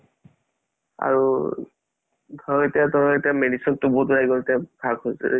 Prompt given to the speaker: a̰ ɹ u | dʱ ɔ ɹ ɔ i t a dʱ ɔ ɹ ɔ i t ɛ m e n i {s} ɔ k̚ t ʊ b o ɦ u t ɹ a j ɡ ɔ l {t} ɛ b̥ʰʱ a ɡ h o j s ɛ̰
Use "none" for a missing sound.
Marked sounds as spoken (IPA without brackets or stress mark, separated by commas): s, t